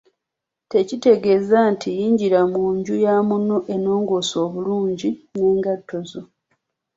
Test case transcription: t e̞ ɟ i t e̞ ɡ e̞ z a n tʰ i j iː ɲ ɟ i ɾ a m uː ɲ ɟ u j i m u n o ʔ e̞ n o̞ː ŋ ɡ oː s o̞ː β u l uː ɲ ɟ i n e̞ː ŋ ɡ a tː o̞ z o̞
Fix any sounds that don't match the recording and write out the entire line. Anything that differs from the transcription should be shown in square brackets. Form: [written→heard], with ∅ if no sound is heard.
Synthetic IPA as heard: t e̞ [ɟ→c] i t e̞ ɡ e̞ z a n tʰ i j iː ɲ ɟ i ɾ a m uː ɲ ɟ u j [i→a] m u n o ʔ e̞ n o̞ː ŋ ɡ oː s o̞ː β u l uː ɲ ɟ i n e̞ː ŋ ɡ a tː o̞ z o̞